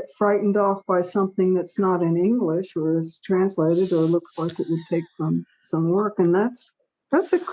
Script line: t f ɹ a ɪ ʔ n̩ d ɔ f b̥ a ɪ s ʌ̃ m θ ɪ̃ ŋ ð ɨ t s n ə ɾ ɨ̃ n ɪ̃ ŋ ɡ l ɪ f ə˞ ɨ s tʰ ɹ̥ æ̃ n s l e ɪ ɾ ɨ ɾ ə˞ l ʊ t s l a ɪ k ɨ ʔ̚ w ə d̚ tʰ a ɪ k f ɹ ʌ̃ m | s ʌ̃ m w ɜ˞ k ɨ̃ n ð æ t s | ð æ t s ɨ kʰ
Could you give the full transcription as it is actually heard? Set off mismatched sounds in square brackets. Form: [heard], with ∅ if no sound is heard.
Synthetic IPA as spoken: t f ɹ a ɪ ʔ n̩ d ɔ f b̥ a ɪ s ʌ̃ m θ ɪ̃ ŋ ð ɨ t s n ə ɾ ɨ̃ n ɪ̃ ŋ ɡ l ɪ [ʃ] ə˞ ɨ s tʰ ɹ̥ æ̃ n s l e ɪ ɾ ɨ ɾ ə˞ l ʊ [k] s l a ɪ k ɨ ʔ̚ w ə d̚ tʰ [e] ɪ k f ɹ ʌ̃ m | s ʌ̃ m w ɜ˞ k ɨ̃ n ð æ t s | ð æ t s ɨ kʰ